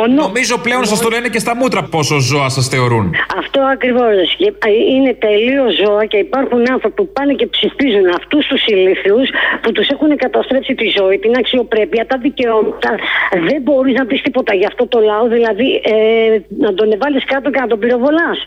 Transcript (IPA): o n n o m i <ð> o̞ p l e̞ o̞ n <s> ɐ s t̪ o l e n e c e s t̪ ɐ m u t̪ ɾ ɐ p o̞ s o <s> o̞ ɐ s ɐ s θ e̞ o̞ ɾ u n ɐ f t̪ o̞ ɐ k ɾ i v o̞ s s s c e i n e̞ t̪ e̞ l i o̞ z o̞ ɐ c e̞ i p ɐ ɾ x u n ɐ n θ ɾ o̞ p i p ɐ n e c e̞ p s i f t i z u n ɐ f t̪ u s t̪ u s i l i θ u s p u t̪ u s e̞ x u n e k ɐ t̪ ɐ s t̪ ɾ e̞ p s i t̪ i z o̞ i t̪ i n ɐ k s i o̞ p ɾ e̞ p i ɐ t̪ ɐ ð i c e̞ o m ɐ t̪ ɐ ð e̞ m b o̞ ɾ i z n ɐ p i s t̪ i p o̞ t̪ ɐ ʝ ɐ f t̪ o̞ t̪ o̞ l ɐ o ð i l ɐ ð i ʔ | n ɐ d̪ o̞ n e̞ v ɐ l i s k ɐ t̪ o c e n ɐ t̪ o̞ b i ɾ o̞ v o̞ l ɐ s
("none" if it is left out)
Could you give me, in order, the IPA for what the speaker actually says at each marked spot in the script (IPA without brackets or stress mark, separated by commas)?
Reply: z, s, z